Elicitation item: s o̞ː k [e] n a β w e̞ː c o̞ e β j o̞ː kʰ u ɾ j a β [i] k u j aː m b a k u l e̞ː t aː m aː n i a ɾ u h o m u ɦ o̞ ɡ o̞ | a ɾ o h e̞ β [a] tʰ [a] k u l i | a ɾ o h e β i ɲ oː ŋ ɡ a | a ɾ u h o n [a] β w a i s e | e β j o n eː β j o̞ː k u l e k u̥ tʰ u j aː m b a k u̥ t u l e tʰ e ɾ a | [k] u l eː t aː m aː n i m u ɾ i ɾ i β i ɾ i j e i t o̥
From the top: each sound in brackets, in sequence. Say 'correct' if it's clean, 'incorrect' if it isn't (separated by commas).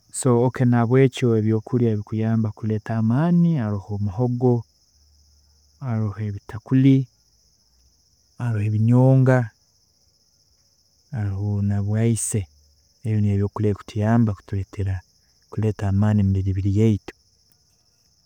correct, correct, incorrect, correct, correct, correct